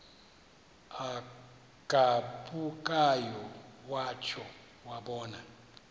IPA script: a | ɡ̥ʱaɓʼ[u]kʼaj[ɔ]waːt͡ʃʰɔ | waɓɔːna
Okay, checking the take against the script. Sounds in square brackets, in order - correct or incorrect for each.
correct, correct

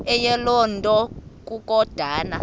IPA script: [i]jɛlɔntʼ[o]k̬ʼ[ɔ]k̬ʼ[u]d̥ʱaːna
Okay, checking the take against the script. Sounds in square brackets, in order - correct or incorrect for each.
incorrect: ɛ, incorrect: ɔ, incorrect: u, incorrect: ɔ

